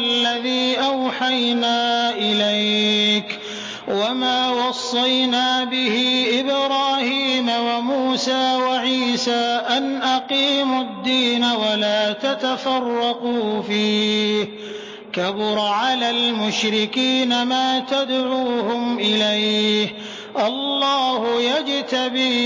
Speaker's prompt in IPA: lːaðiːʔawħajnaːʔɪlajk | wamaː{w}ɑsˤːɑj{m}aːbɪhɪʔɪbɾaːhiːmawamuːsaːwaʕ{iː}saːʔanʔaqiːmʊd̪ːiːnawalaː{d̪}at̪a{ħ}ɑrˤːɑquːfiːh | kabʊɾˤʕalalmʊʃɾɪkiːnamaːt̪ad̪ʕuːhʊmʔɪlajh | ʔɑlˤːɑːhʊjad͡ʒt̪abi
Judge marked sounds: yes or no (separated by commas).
yes, no, yes, no, no